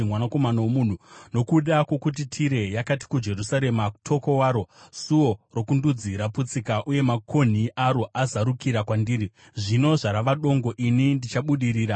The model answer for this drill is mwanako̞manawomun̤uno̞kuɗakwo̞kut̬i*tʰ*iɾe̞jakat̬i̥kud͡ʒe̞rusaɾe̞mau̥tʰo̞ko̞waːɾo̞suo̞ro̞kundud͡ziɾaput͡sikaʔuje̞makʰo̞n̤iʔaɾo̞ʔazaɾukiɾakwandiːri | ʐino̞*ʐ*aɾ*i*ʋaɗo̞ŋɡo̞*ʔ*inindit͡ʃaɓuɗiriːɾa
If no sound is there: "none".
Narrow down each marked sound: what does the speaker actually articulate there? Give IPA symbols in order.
tʰ, ʐ, a, ʔ

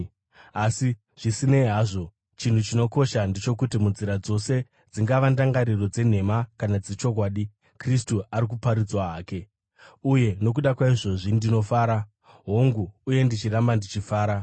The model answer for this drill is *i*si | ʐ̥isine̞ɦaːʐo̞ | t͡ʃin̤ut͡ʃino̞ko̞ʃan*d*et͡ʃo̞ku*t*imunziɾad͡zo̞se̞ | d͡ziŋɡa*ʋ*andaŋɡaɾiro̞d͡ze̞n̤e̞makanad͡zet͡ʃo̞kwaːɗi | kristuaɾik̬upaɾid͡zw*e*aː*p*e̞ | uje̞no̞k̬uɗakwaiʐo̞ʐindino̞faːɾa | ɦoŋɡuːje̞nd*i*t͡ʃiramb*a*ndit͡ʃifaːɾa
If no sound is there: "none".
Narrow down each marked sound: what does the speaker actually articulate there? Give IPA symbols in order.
a, d, t, ʋ, a, k, i, a

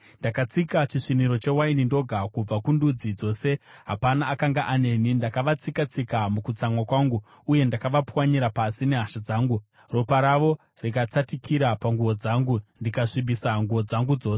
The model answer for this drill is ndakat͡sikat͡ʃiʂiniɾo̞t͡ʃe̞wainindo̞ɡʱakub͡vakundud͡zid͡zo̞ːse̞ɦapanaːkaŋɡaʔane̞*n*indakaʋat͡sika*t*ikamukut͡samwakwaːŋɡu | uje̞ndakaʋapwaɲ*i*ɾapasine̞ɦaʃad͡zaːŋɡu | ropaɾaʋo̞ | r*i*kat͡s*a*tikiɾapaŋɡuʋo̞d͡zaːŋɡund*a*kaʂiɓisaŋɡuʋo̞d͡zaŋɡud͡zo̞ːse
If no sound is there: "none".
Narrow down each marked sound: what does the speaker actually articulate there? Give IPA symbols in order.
n, t͡s, i, i, a, i

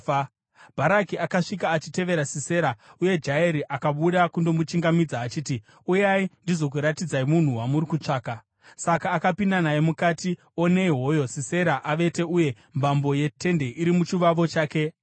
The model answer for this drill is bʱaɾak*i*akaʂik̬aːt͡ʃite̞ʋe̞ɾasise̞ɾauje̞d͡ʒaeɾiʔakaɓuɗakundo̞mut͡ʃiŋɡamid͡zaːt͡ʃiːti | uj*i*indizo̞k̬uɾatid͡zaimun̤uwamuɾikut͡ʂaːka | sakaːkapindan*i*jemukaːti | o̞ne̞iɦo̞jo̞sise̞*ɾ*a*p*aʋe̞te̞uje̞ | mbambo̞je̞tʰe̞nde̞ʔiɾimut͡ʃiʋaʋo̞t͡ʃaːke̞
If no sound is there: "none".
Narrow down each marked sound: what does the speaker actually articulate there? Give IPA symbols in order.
i, a, a, ɾ, ʔ

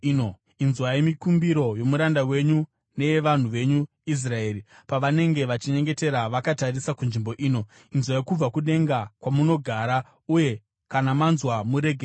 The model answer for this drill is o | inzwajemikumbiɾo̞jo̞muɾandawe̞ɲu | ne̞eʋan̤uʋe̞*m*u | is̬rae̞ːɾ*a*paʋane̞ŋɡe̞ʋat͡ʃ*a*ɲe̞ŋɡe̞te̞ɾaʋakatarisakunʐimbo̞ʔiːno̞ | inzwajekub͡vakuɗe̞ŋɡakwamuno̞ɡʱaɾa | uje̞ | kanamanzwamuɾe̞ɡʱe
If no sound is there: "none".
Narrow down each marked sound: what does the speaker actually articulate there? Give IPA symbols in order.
ɲ, i, i

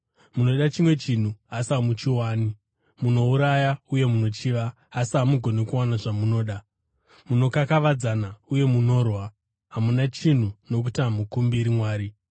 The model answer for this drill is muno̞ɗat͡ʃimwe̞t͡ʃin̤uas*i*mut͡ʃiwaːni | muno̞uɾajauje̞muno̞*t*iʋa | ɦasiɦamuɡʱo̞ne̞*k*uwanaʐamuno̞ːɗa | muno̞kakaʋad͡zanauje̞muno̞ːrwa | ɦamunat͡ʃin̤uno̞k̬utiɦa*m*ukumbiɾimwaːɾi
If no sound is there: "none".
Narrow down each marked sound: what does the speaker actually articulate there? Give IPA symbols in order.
a, t͡ʃ, k, m

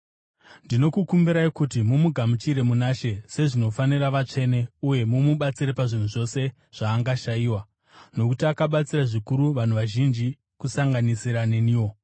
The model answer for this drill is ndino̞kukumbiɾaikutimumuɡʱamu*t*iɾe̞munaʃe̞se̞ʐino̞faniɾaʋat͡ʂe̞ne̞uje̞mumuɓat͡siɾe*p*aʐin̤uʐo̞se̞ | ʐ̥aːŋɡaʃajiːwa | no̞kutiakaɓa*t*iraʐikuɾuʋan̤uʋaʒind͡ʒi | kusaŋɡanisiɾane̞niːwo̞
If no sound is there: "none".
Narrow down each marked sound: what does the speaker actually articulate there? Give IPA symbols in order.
t͡ʃ, p, t͡s

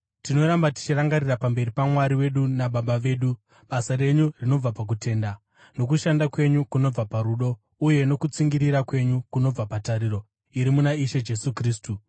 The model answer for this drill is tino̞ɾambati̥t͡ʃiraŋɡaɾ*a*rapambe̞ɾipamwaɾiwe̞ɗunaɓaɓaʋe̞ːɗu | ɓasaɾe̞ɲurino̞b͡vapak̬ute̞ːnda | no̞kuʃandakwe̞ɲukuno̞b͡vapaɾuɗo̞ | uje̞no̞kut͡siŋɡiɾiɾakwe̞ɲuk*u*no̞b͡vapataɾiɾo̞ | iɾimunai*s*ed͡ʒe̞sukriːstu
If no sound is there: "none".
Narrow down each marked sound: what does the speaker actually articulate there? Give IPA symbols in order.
i, u, ʃ

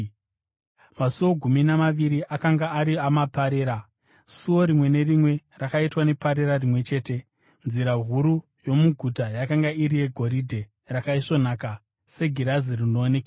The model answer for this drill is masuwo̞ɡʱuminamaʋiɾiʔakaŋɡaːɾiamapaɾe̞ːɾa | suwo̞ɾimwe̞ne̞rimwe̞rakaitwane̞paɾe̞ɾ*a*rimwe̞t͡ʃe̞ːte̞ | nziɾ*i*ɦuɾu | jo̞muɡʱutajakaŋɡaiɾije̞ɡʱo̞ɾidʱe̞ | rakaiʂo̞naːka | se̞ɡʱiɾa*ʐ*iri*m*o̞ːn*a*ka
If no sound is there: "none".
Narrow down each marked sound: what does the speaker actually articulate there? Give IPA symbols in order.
a, a, z, n, e

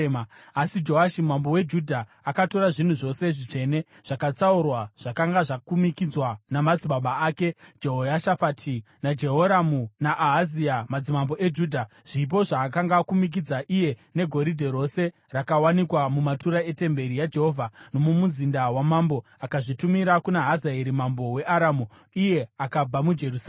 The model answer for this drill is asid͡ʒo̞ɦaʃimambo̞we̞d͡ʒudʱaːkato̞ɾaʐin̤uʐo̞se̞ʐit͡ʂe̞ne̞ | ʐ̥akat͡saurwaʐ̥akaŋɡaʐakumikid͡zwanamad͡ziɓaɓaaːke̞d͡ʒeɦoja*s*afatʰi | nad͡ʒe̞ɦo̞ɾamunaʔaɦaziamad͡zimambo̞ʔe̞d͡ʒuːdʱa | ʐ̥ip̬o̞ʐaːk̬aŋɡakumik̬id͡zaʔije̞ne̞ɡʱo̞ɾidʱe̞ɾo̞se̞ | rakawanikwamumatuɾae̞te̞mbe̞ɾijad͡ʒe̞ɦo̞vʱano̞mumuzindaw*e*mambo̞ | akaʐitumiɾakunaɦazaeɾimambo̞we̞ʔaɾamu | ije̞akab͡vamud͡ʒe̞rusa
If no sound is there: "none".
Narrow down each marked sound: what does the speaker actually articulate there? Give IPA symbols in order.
ʃ, a

